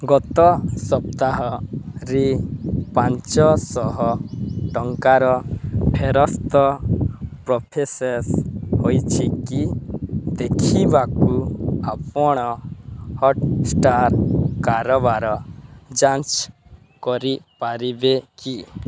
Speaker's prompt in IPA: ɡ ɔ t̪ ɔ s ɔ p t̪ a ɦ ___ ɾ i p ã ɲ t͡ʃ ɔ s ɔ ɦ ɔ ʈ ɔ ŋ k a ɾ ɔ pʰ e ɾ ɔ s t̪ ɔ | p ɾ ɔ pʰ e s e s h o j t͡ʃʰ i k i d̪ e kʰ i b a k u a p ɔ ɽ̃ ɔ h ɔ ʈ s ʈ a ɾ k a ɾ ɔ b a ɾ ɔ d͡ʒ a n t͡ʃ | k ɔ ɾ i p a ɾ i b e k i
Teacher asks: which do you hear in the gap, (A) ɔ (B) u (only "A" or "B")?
A